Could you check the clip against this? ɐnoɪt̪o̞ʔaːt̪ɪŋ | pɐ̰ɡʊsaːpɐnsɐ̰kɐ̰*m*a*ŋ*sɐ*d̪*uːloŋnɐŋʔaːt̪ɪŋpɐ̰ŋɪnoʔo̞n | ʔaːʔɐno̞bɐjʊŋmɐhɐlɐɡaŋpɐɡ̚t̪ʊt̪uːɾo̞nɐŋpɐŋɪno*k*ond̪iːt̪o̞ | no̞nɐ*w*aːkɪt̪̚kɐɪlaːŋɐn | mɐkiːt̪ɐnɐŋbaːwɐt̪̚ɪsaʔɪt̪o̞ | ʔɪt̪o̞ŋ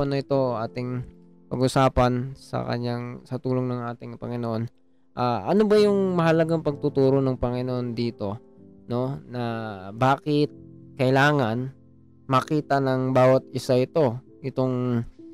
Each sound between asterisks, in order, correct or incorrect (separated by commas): incorrect, correct, incorrect, incorrect, incorrect